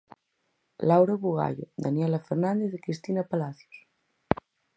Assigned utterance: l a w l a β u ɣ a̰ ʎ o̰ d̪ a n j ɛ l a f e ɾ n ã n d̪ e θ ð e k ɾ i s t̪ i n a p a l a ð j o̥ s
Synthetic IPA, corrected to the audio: l a w ɾ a β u ɣ a̰ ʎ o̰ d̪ a n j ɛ l a f e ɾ n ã n d̪ e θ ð e k ɾ i s t̪ i n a p a l a θ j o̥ s